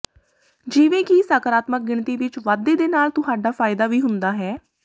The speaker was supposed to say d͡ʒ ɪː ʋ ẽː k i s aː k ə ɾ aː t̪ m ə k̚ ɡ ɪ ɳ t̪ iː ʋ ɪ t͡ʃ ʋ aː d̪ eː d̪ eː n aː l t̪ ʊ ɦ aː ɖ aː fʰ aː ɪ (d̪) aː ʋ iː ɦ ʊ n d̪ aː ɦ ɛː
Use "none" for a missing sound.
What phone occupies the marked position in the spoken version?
d̪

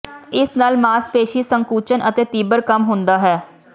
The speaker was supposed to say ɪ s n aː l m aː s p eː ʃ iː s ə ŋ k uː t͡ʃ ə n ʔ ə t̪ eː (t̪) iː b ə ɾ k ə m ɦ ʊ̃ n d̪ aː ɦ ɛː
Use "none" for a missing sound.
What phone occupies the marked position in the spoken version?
t̪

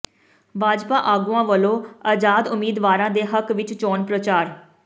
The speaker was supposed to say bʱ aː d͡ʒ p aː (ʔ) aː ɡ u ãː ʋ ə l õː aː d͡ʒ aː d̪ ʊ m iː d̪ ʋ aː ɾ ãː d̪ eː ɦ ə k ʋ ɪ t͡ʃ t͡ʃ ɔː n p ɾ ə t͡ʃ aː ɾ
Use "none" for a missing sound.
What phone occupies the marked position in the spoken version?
ʔ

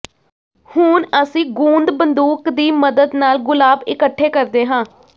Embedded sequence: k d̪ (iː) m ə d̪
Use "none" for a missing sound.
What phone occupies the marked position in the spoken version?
iː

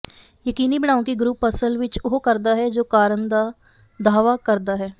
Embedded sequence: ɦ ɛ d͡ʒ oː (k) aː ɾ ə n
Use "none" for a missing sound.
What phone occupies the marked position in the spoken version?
k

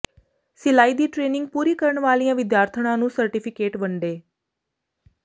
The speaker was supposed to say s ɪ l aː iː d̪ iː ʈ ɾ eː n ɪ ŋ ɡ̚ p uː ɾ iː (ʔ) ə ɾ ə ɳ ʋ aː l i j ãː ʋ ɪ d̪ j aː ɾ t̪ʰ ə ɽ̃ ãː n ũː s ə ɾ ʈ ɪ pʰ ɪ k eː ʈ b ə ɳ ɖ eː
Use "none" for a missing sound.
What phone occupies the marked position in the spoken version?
k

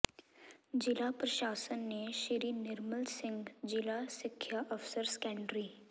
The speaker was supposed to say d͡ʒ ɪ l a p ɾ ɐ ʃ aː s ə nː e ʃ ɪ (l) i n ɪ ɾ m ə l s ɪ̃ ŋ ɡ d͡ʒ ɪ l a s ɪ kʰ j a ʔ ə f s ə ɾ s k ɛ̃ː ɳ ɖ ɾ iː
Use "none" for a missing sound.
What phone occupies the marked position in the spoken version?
ɾ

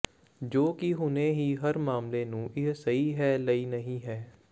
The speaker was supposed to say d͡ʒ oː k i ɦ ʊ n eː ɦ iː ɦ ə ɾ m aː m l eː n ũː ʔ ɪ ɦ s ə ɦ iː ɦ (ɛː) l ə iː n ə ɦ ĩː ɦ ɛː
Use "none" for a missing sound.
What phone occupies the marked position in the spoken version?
ɛː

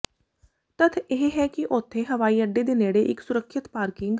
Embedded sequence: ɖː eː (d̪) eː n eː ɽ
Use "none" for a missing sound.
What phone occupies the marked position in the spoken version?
d̪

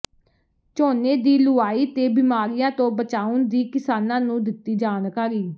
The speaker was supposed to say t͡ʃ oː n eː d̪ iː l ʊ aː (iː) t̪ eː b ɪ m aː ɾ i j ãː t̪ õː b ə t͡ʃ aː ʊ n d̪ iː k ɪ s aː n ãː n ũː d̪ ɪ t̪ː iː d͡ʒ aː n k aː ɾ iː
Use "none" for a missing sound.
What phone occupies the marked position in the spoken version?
iː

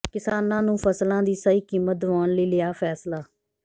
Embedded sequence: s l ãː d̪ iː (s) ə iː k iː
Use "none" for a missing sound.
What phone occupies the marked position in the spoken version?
s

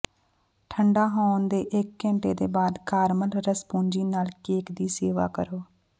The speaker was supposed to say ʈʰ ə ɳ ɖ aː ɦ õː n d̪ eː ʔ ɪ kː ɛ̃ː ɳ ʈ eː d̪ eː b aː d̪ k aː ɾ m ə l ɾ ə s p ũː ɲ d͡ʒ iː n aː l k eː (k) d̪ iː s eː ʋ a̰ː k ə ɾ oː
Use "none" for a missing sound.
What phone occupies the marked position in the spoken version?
k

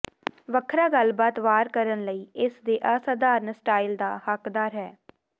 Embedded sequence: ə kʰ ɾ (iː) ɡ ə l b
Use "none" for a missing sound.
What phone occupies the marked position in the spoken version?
aː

